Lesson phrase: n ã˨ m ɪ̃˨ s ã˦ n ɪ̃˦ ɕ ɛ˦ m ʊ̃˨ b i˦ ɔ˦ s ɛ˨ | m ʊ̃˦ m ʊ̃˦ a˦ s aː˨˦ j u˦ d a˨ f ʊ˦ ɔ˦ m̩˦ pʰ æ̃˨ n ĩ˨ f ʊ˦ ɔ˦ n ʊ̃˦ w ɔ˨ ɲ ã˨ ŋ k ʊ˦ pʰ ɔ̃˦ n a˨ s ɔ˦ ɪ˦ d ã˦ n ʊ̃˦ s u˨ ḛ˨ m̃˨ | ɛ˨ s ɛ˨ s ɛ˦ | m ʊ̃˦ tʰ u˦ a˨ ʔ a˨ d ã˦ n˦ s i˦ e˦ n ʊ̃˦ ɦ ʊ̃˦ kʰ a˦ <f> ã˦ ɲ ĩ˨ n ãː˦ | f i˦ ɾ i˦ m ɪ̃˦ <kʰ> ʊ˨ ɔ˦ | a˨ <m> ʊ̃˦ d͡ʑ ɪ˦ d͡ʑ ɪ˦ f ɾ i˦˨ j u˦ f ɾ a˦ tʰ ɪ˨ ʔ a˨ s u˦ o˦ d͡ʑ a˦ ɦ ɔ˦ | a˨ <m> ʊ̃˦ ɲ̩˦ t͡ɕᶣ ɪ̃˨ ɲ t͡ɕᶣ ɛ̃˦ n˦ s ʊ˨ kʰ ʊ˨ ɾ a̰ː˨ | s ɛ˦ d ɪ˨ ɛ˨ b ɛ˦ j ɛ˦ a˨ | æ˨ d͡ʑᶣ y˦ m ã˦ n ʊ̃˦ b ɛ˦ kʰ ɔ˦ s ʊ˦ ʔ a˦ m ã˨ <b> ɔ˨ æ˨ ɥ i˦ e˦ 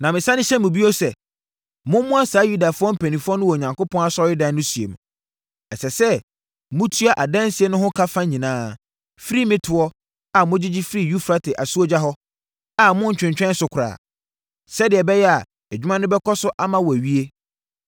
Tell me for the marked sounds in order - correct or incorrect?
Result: correct, incorrect: tʰ, correct, correct, incorrect: w

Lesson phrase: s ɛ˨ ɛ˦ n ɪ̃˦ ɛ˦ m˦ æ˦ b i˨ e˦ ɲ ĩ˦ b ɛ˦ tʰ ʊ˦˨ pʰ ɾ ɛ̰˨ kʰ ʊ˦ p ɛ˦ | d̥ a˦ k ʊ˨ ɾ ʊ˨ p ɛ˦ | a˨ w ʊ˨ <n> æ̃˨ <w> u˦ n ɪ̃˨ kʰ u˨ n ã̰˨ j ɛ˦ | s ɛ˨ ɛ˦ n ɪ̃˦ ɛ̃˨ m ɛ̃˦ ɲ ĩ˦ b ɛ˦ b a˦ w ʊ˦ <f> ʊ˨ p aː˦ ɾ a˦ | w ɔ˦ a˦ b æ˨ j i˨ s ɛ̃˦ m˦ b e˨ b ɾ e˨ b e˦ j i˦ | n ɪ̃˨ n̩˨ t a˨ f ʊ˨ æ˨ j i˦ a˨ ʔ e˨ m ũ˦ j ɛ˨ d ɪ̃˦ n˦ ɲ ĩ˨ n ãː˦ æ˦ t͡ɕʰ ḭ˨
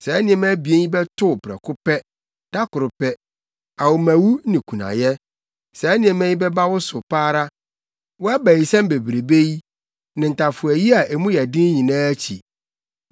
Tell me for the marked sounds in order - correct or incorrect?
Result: incorrect: m, correct, incorrect: s

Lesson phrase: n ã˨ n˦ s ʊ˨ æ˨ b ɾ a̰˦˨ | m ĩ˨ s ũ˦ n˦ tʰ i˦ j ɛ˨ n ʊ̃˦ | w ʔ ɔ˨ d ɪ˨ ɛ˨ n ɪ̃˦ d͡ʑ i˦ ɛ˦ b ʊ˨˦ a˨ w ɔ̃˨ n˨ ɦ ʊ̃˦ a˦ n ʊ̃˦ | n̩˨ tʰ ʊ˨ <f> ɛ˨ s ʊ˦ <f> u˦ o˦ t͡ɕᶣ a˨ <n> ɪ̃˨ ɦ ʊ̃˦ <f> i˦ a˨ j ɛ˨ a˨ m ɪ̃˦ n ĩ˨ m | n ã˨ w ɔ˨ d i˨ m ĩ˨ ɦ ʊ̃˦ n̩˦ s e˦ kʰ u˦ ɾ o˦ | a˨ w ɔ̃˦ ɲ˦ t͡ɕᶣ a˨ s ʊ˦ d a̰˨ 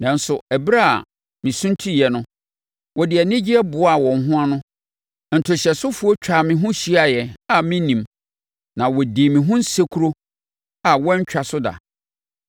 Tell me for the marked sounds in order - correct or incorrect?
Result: incorrect: ɕ, correct, incorrect: m, incorrect: ɕ

